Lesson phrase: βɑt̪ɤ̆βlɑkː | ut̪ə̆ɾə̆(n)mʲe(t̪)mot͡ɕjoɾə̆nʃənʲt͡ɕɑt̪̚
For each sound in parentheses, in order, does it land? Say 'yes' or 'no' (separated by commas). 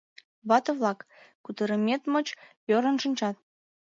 no, yes